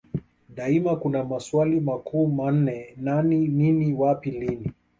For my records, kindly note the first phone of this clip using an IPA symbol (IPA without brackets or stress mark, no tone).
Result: ɗ